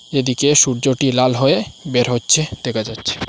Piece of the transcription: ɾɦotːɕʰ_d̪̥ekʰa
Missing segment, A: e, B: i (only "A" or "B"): A